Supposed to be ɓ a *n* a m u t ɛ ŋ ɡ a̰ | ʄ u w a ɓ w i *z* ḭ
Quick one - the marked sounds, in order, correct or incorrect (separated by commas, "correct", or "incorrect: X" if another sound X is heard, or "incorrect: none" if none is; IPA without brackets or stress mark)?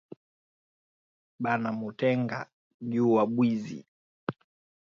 correct, correct